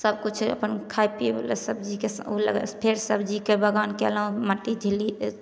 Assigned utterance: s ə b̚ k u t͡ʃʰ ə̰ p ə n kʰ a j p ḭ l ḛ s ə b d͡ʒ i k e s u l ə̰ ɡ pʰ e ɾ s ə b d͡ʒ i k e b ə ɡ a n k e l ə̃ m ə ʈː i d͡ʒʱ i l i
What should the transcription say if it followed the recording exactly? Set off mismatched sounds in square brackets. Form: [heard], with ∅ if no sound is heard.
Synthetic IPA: s ə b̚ k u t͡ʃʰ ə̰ p ə n kʰ a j p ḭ l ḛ s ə b d͡ʒ i k e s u l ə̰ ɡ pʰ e ɾ s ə b d͡ʒ i k e b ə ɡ a n k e l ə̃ m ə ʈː i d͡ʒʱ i l i